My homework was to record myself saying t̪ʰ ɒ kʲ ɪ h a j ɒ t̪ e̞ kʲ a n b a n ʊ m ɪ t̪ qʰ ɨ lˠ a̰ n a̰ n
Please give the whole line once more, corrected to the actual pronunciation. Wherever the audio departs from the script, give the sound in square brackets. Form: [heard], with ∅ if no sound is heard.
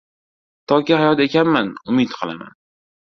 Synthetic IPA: t̪ʰ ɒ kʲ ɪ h a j ɒ t̪ e̞ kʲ a n [m] a n ʊ m ɪ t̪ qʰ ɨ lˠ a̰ [m] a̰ n